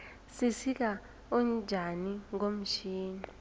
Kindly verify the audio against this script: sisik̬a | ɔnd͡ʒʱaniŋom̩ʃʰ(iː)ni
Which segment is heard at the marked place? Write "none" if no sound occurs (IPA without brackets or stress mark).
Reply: iː